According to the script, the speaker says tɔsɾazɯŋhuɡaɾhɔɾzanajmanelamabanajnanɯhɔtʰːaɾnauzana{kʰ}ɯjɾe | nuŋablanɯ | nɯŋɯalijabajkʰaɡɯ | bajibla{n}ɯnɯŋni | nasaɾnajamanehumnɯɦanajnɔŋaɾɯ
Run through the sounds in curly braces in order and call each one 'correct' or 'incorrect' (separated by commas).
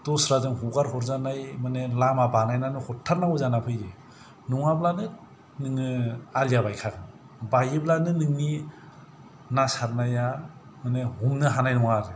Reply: incorrect, correct